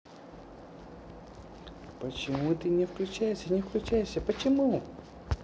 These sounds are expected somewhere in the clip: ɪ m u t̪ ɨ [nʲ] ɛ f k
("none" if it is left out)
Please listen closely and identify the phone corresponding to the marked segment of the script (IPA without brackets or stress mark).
nʲ